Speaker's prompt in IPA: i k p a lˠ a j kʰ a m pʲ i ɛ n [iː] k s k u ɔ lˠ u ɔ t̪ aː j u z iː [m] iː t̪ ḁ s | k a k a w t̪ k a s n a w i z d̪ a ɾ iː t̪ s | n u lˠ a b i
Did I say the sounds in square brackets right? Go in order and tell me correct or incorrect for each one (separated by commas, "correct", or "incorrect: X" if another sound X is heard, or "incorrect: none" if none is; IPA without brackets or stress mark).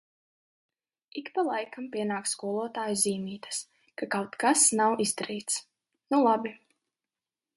incorrect: aː, correct